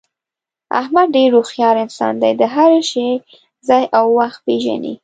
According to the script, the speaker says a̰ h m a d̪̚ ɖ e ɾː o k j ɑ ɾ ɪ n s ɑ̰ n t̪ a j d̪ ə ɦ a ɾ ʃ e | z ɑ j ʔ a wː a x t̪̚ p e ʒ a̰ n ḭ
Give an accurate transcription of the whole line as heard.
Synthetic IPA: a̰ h m a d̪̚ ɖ e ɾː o x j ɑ ɾ ɪ n s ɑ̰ n d̪ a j d̪ ə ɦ a ɾ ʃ e | z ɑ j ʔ a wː a x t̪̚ p e ʒ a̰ n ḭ